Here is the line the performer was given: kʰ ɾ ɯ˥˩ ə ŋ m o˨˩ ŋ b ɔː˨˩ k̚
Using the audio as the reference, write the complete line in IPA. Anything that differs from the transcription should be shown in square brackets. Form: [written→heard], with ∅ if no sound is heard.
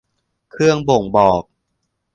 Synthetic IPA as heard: kʰ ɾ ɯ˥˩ ə ŋ [m→b] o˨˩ ŋ b ɔː˨˩ k̚